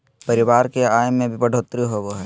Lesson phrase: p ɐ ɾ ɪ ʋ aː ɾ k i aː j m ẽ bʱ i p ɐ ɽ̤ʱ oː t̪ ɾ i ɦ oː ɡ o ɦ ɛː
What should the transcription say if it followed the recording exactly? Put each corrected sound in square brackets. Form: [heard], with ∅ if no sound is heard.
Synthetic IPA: p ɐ ɾ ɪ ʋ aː ɾ k [e] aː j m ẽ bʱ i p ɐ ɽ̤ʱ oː t̪ ɾ i ɦ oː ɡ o ɦ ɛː